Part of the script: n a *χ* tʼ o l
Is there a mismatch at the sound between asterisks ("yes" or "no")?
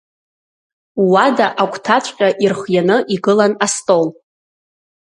yes